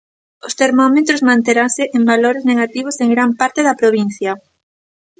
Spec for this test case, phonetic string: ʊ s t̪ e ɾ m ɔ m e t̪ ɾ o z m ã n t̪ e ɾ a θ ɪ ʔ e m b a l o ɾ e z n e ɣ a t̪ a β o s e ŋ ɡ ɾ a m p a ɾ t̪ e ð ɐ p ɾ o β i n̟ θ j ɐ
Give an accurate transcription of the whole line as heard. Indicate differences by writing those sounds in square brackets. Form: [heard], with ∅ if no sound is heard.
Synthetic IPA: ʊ s t̪ e ɾ m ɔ m e t̪ ɾ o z m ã n t̪ e ɾ a [s] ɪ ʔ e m b a l o ɾ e z n e ɣ a t̪ [i] β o s e ŋ ɡ ɾ a m p a ɾ t̪ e ð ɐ p ɾ o β i n̟ θ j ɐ

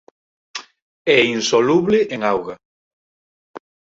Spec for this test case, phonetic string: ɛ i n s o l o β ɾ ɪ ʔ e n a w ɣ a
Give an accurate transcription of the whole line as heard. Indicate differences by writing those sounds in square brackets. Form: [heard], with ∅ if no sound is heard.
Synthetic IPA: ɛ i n s o l [u] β [l] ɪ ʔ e [ŋ] a w ɣ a

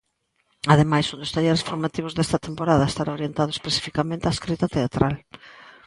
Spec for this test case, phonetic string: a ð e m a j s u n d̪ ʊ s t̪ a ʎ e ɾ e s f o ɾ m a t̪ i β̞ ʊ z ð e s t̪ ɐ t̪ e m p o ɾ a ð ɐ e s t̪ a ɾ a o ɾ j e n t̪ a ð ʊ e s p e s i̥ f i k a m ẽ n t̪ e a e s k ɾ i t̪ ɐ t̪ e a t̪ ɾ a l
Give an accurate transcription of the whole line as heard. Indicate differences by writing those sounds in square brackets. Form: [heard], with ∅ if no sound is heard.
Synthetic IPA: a ð e m a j s u n d̪ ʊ s t̪ a ʎ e ɾ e s f o ɾ m a t̪ i β̞ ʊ z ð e s t̪ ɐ t̪ e m p o ɾ a ð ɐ e s t̪ a ɾ a o ɾ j e n t̪ a ð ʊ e s p e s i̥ f i k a m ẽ n t̪ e a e s k ɾ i t̪ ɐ t̪ e a t̪ ɾ a l

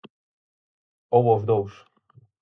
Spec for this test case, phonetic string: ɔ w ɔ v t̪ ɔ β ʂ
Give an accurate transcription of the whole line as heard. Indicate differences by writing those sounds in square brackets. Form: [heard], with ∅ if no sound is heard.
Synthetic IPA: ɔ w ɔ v [d̪] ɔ [w] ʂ

